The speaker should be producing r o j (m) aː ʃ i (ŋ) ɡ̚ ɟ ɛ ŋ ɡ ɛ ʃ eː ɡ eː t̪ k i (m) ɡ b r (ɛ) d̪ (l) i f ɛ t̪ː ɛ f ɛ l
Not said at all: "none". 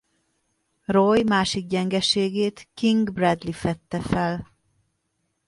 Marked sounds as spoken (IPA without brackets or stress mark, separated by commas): m, none, ŋ, ɛ, l